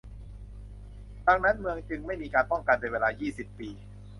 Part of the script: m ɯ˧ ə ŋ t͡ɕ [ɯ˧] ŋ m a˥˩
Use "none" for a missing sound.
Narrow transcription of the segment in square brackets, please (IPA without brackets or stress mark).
ɯ˧